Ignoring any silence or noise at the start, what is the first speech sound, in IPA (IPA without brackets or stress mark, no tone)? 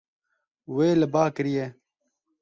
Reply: w